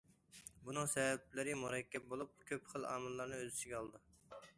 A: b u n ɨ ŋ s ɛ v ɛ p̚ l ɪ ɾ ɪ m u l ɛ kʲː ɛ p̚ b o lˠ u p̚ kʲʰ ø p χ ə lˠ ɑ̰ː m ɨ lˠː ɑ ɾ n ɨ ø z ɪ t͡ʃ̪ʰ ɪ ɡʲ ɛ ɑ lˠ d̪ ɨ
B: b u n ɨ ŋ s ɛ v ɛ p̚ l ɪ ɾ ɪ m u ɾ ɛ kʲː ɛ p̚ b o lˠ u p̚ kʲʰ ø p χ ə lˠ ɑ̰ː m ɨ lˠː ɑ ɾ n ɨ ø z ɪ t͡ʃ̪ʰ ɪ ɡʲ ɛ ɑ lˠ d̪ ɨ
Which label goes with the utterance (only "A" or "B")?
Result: B